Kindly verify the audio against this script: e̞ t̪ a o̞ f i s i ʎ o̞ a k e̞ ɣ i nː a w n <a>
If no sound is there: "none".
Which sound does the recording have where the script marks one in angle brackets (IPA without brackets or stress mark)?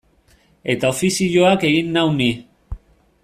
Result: i